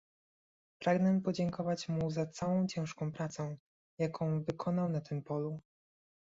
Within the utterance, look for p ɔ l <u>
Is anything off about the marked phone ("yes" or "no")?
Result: no